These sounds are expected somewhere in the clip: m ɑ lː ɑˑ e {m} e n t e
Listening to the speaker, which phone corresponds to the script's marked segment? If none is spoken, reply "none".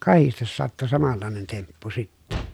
n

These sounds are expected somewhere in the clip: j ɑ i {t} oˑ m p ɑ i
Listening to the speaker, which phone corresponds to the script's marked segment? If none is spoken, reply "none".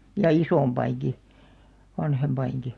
s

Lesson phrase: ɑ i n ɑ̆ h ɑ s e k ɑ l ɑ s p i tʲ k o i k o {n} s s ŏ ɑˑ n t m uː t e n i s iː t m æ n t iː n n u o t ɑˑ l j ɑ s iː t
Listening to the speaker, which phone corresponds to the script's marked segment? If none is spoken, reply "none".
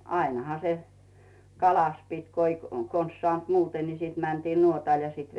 n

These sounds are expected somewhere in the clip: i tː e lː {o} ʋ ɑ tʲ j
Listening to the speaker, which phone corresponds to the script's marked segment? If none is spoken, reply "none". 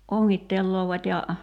oː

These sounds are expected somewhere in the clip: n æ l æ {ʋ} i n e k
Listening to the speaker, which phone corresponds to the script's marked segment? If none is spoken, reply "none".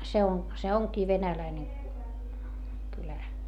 none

